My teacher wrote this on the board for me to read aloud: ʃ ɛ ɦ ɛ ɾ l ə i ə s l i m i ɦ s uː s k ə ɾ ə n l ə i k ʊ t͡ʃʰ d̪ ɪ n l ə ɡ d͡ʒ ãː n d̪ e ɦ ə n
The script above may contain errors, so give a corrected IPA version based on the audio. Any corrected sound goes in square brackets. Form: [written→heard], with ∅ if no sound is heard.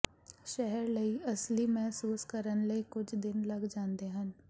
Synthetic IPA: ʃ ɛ ɦ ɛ ɾ l ə i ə s l i m [i→ɛ] ɦ s uː s k ə ɾ ə n l ə i k ʊ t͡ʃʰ d̪ ɪ n l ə ɡ d͡ʒ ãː n d̪ e ɦ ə n

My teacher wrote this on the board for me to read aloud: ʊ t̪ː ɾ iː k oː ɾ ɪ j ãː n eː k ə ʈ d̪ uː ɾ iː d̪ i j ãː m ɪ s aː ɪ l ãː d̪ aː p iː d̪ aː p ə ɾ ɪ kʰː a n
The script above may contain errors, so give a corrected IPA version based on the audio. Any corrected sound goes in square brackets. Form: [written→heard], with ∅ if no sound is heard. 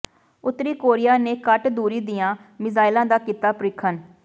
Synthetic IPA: ʊ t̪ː ɾ iː k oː ɾ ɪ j [ãː→aː] n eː k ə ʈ d̪ uː ɾ iː d̪ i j ãː m ɪ [s→z] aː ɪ l ãː d̪ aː [p→k] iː [d̪→t̪] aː p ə ɾ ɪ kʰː [a→ə] n

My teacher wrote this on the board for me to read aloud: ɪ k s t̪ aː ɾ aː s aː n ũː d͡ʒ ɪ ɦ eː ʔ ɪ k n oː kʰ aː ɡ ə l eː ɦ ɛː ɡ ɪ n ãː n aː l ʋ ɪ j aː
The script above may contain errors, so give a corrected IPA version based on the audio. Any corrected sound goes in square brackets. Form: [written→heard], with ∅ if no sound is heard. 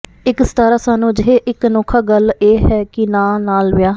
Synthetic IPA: ɪ k s t̪ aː ɾ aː s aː n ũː d͡ʒ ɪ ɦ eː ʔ ɪ k n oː kʰ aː ɡ ə l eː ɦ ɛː [ɡ→k] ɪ n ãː n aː l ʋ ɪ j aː

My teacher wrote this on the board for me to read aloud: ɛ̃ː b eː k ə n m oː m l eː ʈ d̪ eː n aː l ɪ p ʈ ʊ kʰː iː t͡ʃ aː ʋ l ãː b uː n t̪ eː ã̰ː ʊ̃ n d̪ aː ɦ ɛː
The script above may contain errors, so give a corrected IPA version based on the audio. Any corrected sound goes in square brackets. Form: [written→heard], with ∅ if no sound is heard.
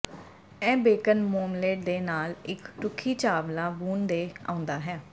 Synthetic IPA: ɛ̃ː b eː k ə n m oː m l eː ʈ d̪ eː n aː l ɪ [p→k] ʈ ʊ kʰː iː t͡ʃ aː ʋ l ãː b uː n [t̪→d̪] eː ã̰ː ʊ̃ n d̪ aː ɦ ɛː

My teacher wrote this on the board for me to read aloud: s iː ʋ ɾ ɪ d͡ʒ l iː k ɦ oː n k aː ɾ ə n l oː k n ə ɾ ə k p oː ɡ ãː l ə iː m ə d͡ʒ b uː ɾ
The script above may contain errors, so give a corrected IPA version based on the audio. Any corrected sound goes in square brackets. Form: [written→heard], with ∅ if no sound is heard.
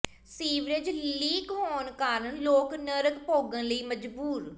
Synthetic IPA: s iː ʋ ɾ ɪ d͡ʒ l iː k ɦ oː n k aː ɾ ə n l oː k n ə ɾ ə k p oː ɡ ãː l ə iː m ə d͡ʒ b uː ɾ

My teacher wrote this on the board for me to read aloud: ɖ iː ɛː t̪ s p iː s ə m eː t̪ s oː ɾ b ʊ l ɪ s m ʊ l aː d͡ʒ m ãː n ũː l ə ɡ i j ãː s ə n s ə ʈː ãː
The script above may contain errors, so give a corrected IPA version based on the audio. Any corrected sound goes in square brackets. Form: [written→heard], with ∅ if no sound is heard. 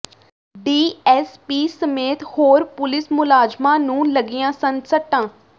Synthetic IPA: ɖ iː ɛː [t̪→∅] s p iː s ə m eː t̪ [s→h] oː ɾ [b→p] ʊ l ɪ s m ʊ l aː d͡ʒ m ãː n ũː l ə ɡ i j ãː s ə n s ə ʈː ãː

